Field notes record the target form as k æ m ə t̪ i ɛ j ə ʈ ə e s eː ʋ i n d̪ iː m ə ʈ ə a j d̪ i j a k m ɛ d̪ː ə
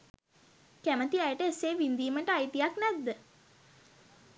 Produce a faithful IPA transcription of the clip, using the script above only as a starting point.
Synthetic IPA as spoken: k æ m ə t̪ i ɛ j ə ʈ ə e s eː ʋ i n d̪ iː m ə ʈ ə a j t̪ i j a k n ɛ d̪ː ə